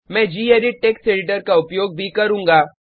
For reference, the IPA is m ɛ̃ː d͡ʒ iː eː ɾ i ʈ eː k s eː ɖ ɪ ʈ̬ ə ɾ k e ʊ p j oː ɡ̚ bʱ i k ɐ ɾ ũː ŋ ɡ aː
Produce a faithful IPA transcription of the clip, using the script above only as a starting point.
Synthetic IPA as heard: m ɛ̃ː d͡ʒ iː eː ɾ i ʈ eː k s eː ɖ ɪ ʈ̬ ə ɾ k a ʊ p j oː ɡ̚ bʱ i k ɐ ɾ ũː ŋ ɡ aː